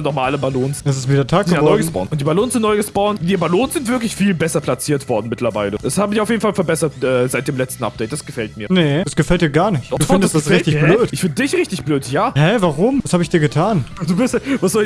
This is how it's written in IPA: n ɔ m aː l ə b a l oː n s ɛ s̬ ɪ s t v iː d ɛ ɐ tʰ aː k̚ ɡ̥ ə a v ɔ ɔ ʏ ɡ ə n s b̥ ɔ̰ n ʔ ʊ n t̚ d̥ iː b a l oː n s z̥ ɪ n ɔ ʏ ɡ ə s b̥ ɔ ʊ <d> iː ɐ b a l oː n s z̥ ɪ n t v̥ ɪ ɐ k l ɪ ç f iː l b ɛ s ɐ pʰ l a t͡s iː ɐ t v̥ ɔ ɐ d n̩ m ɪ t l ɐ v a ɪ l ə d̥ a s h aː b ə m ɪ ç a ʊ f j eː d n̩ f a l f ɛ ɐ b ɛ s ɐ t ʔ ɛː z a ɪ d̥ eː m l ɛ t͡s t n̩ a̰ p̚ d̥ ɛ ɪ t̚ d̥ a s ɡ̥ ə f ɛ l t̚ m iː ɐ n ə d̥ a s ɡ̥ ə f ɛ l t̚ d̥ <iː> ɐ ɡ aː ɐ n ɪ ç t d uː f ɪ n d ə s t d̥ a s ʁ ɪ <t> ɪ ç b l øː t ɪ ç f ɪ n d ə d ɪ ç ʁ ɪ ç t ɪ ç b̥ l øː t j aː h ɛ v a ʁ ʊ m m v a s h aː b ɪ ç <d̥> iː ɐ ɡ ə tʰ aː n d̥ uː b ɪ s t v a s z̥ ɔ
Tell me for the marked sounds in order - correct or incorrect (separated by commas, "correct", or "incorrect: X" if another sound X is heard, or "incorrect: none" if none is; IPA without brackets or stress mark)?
incorrect: n, correct, correct, correct